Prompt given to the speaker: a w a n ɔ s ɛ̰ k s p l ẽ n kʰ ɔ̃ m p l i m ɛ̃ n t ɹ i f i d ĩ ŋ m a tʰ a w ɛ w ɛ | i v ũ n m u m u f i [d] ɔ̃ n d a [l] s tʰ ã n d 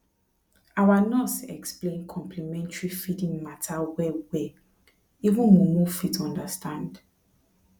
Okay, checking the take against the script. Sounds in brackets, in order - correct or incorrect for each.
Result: incorrect, incorrect

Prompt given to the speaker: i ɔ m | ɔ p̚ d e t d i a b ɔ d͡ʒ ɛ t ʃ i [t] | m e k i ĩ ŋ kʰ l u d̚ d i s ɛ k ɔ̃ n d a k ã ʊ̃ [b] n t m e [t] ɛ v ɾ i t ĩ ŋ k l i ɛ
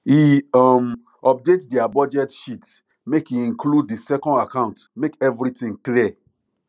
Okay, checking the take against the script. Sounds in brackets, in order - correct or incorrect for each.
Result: correct, incorrect, incorrect

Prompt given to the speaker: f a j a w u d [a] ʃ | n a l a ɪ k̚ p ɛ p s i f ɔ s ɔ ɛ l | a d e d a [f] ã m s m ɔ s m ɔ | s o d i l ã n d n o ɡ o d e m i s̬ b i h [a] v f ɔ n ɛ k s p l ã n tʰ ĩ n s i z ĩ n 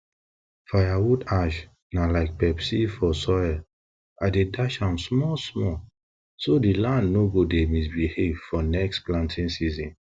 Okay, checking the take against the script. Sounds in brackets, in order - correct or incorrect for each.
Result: correct, incorrect, incorrect

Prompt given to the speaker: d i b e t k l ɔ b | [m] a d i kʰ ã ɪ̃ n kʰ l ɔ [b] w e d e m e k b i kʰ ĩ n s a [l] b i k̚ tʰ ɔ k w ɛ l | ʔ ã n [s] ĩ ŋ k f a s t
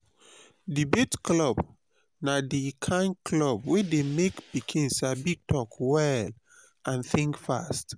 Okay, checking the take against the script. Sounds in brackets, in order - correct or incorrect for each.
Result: incorrect, correct, incorrect, incorrect

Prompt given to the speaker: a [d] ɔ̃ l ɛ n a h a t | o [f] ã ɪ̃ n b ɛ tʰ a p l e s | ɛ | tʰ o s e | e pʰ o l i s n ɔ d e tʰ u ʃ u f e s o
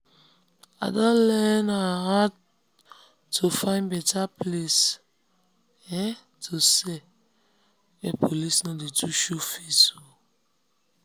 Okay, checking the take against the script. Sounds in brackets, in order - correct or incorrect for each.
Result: correct, correct

